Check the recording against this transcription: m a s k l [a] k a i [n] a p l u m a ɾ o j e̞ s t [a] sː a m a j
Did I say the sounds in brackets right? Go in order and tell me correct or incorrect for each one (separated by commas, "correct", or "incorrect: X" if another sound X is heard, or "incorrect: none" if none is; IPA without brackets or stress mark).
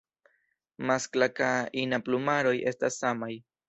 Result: correct, correct, correct